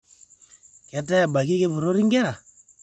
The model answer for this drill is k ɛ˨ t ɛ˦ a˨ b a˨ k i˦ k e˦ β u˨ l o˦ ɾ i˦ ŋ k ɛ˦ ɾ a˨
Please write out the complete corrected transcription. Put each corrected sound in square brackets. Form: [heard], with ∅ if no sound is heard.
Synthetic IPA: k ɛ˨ t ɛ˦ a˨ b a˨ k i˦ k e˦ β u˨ [ɾ] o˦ ɾ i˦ ŋ [ɡ] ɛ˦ ɾ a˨